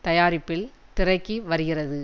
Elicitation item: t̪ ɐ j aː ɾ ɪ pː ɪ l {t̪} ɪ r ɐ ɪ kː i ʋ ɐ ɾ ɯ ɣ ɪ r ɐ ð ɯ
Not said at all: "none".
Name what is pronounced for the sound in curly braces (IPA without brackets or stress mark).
t̪